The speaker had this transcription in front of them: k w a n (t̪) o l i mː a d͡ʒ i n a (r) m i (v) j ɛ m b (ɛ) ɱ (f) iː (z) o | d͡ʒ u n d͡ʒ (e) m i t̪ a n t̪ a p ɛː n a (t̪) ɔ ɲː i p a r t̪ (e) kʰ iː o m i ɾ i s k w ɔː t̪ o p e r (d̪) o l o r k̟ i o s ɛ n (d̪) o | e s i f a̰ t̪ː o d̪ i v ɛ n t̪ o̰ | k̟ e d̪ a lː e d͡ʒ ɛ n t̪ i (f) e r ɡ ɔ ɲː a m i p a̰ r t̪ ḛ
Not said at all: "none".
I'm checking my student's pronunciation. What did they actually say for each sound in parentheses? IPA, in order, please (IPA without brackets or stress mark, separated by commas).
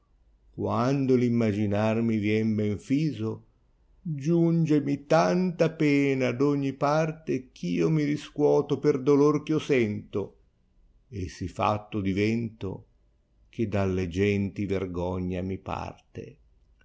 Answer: d̪, r, v, ɛ, f, z, e, d̪, e, d̪, t̪, v